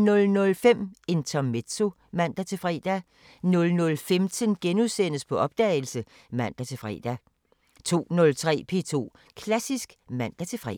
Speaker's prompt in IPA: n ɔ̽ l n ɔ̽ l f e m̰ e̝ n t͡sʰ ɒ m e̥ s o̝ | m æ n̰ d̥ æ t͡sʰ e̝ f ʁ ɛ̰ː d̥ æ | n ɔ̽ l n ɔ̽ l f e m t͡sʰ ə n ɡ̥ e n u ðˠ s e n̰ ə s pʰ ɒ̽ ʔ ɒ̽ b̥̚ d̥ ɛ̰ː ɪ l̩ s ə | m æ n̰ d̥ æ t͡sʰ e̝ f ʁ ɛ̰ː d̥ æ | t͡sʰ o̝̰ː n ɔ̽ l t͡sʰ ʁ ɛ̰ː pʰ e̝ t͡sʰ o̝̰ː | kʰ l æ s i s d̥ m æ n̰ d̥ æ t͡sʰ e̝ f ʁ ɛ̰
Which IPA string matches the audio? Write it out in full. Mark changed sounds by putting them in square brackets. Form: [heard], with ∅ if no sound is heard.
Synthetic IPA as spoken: n ɔ̽ l n ɔ̽ l f e m̰ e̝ n t͡sʰ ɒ m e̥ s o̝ | m æ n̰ d̥ æ t͡sʰ e̝ f ʁ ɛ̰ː d̥ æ | n ɔ̽ l n ɔ̽ l f e m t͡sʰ ə n ɡ̥ e n u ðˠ s e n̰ ə s pʰ ɒ̽ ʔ ɒ̽ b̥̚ d̥ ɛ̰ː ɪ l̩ s ə | m æ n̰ d̥ æ t͡sʰ e̝ f ʁ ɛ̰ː d̥ æ | t͡sʰ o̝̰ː n ɔ̽ l t͡sʰ ʁ ɛ̰ː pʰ e̝ t͡sʰ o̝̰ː | kʰ l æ s i s [ɡ̥] m æ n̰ d̥ æ t͡sʰ e̝ f ʁ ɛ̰